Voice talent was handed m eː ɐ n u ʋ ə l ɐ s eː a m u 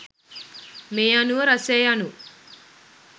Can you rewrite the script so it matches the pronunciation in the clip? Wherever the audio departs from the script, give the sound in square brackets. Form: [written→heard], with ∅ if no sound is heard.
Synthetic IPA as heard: m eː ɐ n u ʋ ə [l→ɾ] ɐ s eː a [m→n] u